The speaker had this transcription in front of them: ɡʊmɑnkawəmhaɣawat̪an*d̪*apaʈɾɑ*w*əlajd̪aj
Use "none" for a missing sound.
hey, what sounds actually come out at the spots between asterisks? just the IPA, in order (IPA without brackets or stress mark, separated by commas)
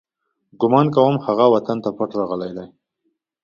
t̪, ɣ